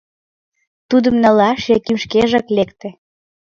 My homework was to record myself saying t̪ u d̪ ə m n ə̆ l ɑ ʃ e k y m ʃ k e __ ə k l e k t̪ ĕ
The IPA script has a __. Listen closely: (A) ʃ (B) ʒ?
B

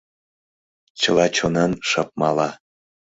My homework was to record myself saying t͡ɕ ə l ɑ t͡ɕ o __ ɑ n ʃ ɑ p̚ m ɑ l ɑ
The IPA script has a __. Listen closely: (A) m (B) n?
B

